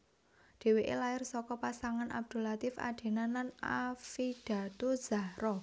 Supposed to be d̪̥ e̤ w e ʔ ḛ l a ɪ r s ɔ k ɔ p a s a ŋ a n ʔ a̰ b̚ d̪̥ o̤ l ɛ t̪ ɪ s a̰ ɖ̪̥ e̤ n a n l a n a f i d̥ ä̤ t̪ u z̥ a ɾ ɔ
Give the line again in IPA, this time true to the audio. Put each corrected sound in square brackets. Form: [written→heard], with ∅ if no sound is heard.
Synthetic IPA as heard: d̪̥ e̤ w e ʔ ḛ l a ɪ r s ɔ k ɔ p a s a ŋ a n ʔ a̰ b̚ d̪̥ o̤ l [ɛ→a] t̪ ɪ [s→f] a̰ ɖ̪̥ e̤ n a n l a n a f i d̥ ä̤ t̪ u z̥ a ɾ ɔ